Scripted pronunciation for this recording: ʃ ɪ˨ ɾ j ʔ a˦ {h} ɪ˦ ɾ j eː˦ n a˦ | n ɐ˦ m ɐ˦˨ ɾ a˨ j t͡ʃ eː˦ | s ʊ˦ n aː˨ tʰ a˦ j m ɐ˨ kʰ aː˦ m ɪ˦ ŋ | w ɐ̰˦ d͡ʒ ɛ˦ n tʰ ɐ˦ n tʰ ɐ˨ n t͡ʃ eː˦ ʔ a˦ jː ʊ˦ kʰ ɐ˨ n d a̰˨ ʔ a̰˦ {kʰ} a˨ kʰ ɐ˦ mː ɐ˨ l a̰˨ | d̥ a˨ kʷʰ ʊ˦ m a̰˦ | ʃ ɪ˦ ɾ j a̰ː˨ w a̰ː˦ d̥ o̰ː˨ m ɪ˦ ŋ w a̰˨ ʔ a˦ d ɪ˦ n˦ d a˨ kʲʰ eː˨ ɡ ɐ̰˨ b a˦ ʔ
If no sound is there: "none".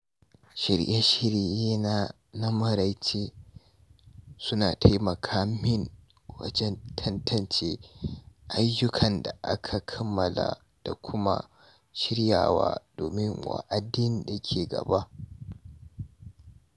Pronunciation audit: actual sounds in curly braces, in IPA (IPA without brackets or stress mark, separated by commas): ʃ, kʰ